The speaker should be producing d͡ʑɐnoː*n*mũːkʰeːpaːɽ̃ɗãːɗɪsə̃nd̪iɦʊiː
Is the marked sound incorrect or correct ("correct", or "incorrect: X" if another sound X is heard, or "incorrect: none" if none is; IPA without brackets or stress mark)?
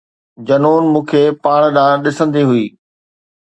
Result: correct